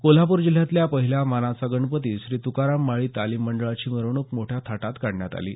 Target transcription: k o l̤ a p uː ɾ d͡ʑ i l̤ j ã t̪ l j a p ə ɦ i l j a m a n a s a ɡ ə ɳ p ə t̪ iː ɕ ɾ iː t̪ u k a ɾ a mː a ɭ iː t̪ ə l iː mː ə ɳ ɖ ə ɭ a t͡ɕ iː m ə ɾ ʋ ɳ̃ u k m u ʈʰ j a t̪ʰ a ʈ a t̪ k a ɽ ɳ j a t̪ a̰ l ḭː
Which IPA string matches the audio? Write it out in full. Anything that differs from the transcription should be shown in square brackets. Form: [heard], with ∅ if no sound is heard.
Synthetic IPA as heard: k o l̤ a p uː ɾ d͡ʑ i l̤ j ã t̪ l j a p ə ɦ i l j a m a n a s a ɡ ə ɳ p ə t̪ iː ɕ ɾ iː t̪ u k a ɾ a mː a ɭ iː t̪ [a] l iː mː ə ɳ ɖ ə ɭ a t͡ɕ iː m ə ɾ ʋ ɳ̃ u k m [o] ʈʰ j a t̪ʰ a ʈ a t̪ k a ɽ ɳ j a t̪ a̰ l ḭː